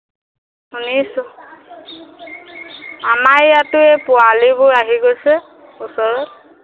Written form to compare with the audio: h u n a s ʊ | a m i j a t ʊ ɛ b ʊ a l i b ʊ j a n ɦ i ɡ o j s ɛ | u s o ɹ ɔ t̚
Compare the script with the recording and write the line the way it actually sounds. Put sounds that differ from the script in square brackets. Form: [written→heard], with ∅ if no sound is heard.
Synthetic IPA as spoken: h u n [a→i] s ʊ | a m [i→a] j a t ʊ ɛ [b→p] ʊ a l i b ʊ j a [n→∅] ɦ i ɡ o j s ɛ | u s [o→ɔ] ɹ ɔ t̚